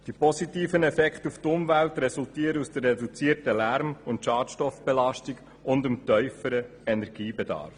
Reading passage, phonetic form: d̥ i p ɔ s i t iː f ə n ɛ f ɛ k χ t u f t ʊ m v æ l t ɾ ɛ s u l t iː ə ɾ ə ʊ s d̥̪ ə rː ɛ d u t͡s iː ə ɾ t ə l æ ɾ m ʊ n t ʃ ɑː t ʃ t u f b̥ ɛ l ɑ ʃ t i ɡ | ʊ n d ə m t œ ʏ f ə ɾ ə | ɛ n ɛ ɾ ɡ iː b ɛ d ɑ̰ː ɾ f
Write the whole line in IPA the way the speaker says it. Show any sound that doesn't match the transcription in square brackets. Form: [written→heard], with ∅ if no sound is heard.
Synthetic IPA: d̥ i p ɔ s i t iː f ə n ɛ f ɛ k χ t u f t ʊ m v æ l t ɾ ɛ s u l t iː ə ɾ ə [ʊ→u] s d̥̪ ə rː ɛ d u t͡s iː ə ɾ t ə l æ ɾ m ʊ n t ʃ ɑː t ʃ t [u→ɔ] f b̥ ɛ l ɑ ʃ t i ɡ | ʊ n d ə m t œ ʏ f ə ɾ ə | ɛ n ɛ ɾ ɡ iː b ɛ d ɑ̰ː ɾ f